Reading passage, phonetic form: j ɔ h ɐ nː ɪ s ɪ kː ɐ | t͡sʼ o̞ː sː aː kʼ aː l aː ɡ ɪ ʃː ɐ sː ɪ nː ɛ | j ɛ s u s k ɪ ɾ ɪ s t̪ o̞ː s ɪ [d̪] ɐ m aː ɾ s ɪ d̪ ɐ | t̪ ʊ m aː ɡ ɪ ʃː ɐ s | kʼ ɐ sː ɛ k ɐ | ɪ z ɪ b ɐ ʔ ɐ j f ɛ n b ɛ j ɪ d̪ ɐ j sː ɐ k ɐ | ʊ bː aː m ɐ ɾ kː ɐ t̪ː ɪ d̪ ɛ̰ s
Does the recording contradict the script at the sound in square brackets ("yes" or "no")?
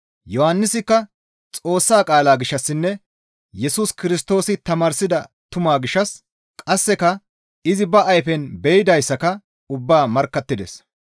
yes